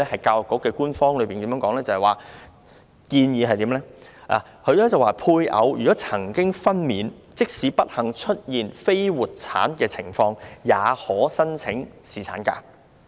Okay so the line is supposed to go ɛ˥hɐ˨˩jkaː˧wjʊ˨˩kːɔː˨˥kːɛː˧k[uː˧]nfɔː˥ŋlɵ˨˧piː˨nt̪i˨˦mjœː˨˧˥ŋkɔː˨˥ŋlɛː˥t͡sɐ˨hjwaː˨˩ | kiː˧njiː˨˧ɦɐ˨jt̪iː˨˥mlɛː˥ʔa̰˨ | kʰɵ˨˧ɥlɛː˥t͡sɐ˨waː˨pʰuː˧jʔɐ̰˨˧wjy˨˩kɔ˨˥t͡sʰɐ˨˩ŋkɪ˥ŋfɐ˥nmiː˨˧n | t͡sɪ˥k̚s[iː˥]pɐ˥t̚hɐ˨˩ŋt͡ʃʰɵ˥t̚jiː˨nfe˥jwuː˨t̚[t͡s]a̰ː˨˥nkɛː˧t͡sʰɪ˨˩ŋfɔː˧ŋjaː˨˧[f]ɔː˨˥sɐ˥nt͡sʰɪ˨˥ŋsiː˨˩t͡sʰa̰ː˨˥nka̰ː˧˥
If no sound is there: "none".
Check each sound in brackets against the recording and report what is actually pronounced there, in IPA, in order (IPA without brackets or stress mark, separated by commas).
uː˥, iː˨˧˥, t͡sʰ, h